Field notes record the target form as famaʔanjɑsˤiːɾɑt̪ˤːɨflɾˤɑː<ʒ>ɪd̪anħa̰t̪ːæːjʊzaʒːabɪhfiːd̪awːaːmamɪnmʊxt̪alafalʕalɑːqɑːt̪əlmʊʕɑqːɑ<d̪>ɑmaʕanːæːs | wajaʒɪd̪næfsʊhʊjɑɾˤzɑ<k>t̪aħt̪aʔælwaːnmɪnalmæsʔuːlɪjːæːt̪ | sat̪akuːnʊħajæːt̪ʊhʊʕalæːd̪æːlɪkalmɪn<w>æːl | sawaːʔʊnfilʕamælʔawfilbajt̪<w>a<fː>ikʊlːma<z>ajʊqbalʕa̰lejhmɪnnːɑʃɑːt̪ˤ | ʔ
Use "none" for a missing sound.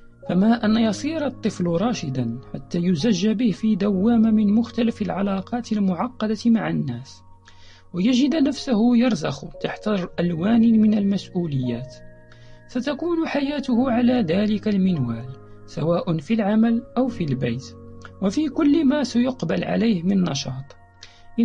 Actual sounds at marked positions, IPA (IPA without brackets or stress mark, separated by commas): ʃ, d̪, x, w, w, f, s